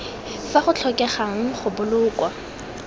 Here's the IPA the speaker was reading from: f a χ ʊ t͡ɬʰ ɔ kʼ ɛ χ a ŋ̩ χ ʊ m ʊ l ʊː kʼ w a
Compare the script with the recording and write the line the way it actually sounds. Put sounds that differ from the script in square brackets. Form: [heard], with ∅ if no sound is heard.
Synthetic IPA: f a χ ʊ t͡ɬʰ ɔ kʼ ɛ χ a ŋ̩ χ ʊ [b] ʊ l ʊː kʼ w a